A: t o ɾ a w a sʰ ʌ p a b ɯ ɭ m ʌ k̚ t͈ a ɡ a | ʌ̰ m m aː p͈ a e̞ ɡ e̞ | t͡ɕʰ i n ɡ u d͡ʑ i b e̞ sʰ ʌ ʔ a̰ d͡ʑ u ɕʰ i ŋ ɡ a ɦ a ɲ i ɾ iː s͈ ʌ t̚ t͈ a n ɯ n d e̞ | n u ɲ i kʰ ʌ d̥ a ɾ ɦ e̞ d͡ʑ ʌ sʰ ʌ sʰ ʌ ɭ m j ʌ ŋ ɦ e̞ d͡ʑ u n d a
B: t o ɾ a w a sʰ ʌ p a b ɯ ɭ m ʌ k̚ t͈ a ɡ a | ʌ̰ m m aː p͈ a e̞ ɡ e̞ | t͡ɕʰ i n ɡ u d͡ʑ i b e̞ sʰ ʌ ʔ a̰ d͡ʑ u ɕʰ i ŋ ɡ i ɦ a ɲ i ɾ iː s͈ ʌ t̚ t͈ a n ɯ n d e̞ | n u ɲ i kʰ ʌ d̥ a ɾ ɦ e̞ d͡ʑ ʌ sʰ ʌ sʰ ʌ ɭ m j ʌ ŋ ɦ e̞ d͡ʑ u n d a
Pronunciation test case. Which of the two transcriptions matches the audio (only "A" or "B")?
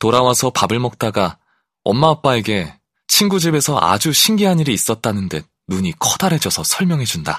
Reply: B